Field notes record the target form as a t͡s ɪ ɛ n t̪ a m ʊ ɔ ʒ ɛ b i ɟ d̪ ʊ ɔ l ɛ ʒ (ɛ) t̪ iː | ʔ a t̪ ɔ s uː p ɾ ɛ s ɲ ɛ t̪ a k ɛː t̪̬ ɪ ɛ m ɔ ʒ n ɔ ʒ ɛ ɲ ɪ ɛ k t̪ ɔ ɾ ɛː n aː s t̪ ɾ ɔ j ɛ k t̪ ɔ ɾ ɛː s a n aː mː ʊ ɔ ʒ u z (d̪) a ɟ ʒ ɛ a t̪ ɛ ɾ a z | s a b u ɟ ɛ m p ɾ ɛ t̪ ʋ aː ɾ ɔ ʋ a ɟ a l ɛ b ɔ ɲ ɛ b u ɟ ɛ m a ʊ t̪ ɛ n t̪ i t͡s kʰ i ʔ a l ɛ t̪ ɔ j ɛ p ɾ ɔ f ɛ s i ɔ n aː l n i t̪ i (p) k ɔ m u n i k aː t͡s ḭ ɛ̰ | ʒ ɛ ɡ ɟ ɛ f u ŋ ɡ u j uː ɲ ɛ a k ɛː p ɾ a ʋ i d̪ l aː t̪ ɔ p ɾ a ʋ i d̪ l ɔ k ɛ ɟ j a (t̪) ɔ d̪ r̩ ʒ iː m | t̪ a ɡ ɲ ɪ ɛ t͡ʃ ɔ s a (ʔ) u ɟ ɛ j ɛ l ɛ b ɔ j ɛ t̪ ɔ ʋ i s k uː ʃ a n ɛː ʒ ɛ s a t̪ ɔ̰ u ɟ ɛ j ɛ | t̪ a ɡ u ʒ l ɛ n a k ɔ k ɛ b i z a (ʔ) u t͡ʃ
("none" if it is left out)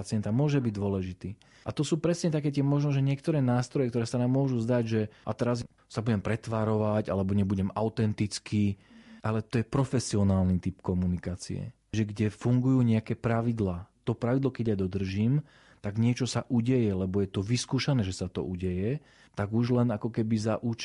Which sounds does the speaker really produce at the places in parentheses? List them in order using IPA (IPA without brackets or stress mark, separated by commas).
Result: i, d̪, p, d̪, ʔ, ʔ